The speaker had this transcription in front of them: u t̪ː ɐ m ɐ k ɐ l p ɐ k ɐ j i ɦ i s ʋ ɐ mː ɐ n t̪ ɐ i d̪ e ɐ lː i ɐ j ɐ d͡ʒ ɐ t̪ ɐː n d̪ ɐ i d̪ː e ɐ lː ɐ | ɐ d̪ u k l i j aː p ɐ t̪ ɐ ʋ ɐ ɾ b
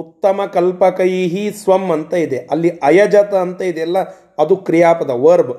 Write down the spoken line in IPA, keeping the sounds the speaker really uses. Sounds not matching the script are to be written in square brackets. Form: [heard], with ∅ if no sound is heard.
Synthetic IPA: u t̪ː ɐ m ɐ k ɐ l p ɐ k ɐ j i ɦ i s ʋ ɐ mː ɐ n t̪ ɐ i d̪ e ɐ lː i ɐ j ɐ d͡ʒ ɐ t̪ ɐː n [t̪] ɐ i [d̪] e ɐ lː ɐ | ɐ d̪ u k [ɾ] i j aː p ɐ [d̪] ɐ ʋ ɐ ɾ b